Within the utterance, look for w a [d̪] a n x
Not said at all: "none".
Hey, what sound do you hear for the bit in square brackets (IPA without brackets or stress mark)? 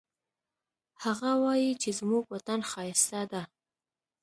t̪